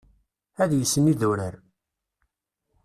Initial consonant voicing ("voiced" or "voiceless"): voiced